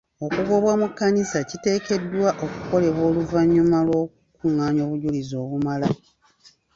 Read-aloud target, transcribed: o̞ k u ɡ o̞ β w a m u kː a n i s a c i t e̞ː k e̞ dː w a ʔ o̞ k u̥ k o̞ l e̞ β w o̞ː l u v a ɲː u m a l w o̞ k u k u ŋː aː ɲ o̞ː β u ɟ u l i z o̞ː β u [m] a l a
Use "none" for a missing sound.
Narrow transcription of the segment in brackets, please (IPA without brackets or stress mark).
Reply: m